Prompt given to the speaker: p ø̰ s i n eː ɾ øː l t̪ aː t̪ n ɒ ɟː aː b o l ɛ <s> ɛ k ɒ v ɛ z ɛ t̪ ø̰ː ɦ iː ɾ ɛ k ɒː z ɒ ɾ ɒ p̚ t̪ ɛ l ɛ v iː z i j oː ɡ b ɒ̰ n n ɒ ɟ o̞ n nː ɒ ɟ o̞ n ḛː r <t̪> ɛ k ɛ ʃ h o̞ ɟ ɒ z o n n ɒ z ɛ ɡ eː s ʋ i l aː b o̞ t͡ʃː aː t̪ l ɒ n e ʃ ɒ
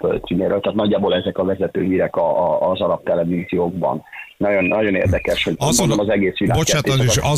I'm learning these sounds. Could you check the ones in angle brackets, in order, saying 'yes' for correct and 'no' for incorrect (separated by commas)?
no, no